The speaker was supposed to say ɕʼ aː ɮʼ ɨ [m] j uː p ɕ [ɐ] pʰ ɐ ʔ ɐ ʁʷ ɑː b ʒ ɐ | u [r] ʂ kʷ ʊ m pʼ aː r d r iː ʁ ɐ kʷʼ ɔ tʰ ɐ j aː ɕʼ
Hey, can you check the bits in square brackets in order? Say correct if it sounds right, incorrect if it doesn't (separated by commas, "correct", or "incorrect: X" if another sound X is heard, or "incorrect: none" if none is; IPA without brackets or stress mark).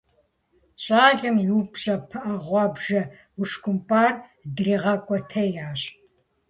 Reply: correct, correct, incorrect: none